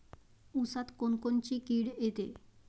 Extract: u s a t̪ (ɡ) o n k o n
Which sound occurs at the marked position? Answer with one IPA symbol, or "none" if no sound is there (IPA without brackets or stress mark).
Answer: k